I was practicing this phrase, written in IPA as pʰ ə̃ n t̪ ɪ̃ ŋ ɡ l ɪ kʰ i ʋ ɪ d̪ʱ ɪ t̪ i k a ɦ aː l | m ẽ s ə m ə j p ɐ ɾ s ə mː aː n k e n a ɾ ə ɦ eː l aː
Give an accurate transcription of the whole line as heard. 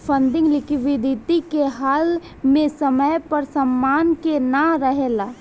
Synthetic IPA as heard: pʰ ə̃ n d̪ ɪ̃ ŋ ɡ l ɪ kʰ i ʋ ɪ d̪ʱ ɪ t̪ i k e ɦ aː l | m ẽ s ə m ə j p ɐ ɾ s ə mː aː n k e n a ɾ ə ɦ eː l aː